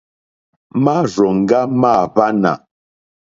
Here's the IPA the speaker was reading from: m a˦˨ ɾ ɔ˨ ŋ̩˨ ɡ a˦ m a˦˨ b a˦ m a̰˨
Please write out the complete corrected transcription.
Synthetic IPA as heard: m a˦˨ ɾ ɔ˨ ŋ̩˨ ɡ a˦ m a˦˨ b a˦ n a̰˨